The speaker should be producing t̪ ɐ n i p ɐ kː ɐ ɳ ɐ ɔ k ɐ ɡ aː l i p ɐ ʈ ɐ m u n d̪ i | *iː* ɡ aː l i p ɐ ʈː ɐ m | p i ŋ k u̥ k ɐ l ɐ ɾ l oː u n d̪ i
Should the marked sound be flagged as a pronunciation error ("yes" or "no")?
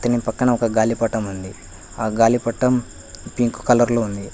yes